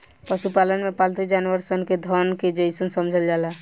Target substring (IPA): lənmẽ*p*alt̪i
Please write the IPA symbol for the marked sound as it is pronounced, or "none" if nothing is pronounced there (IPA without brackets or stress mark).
p